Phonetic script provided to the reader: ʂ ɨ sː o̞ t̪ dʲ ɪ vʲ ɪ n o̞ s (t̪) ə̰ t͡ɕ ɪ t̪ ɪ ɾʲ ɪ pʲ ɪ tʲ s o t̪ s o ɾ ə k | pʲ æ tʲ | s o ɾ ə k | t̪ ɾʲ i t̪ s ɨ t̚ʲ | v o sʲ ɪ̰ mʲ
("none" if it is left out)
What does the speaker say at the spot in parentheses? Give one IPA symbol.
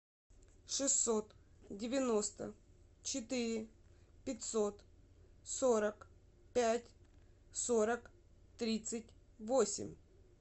t̪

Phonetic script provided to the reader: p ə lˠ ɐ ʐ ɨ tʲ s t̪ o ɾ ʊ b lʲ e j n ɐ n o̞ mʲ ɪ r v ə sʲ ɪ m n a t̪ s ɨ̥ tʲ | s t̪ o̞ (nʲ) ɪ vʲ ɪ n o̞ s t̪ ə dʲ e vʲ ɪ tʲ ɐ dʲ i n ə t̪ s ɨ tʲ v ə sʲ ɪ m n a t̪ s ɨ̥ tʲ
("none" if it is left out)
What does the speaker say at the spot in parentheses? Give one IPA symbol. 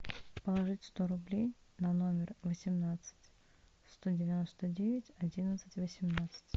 dʲ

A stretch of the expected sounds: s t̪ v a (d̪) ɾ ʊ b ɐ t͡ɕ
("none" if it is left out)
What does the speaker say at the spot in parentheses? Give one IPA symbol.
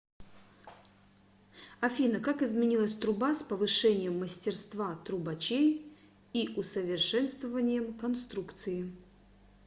t̪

